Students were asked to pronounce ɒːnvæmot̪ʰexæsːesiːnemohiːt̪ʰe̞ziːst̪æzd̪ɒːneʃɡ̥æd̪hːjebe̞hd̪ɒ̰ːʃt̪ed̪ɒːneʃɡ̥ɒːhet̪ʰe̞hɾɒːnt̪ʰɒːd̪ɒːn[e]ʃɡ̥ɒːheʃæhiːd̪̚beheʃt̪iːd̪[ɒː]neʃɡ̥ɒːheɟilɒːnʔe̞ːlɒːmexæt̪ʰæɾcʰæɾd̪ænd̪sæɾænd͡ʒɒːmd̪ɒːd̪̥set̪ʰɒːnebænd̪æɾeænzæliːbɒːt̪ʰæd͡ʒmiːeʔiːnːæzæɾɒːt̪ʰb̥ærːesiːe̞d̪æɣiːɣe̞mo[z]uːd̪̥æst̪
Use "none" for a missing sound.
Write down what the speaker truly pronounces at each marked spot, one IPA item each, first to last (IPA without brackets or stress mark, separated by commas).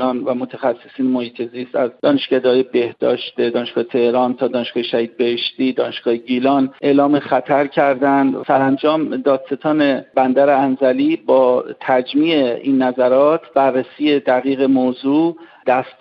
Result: e, ɒː, z